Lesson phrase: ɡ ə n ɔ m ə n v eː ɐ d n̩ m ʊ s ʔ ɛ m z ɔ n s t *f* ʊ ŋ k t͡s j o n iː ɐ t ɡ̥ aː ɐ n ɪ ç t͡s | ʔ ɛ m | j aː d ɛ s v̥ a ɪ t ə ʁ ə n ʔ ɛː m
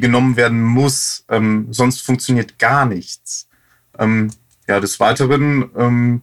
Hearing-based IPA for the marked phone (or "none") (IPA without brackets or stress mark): f